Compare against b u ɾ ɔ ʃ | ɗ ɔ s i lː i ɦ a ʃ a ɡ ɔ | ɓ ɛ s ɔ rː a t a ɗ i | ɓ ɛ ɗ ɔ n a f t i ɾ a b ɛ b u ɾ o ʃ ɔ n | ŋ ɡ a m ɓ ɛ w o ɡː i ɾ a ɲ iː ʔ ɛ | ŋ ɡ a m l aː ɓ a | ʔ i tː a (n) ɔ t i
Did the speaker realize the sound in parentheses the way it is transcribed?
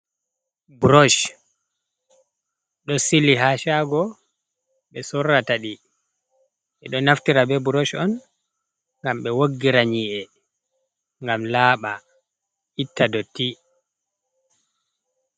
no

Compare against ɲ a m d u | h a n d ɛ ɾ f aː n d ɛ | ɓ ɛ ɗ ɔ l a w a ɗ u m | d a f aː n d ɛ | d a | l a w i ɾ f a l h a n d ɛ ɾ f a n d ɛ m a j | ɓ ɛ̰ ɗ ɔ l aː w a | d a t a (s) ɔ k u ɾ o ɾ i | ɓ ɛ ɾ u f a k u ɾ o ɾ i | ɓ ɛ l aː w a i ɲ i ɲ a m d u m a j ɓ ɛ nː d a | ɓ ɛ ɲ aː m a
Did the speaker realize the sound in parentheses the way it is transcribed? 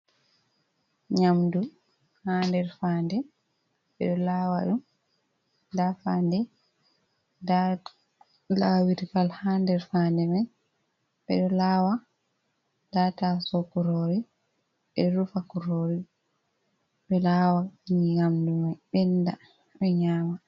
yes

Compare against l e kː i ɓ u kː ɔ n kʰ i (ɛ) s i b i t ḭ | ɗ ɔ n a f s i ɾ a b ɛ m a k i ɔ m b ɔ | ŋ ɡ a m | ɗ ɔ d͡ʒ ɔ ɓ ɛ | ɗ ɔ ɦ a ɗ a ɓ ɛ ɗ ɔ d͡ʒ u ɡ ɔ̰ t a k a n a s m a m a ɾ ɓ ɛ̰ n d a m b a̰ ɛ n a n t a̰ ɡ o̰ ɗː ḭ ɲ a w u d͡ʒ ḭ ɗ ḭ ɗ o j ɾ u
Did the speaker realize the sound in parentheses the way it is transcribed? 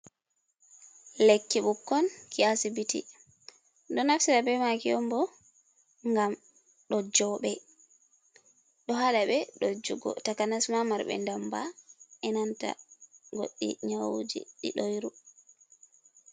no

